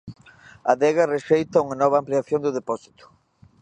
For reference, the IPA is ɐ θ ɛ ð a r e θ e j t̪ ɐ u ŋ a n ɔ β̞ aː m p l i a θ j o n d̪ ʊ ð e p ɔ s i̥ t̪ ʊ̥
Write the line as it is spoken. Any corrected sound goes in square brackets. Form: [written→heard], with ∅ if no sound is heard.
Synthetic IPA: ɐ [θ→ð] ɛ [ð→ɣ] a r e [θ→ʃ] e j t̪ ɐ u ŋ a n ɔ β̞ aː m p l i a θ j o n d̪ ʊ ð e p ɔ s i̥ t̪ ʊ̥